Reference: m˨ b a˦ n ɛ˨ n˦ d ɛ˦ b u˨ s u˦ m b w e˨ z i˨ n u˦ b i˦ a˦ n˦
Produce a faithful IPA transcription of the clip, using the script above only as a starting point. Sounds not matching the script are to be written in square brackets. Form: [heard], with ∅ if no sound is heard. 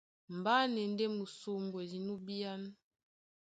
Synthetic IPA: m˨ b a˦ n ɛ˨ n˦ d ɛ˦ [m] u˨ s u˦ m b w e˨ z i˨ n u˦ b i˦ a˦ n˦